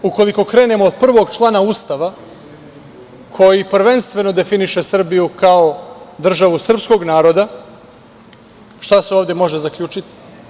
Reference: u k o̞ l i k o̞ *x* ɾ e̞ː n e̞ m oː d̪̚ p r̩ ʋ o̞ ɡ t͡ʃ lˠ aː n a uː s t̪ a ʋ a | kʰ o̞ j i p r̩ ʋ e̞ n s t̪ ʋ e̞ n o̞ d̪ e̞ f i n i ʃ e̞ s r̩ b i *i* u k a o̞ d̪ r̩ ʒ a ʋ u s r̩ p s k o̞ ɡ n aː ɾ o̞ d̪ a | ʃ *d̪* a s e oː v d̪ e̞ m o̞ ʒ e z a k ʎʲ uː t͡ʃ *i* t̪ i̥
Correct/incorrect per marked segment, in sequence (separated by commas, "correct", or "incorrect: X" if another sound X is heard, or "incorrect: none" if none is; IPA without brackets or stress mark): incorrect: k, incorrect: j, incorrect: t̪, correct